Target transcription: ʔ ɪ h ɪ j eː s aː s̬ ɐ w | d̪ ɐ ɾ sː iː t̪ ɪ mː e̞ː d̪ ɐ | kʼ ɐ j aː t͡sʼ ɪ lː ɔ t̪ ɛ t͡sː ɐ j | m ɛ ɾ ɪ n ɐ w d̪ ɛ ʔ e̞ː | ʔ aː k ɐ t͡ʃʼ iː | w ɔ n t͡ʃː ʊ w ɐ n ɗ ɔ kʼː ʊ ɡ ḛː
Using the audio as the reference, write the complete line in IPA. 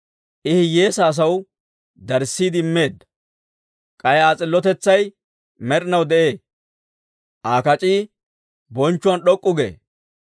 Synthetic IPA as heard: ʔ ɪ h ɪ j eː s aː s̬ ɐ w | d̪ ɐ ɾ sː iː d̪ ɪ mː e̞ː d̪ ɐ | kʼ ɐ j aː t͡sʼ ɪ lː ɔ t̪ ɛ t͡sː ɐ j | m ɛ ɾ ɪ n ɐ w d̪ ɛ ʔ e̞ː | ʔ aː k ɐ t͡ʃʼ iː | b ɔ n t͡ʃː ʊ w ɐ n ɗ ɔ kʼː ʊ ɡ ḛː